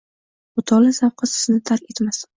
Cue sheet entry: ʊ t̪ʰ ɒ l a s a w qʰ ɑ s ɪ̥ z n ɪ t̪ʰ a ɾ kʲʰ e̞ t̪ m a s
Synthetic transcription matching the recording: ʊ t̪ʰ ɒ l a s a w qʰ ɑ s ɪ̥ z n ɪ t̪ʰ a ɾ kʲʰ e̞ t̪ m a s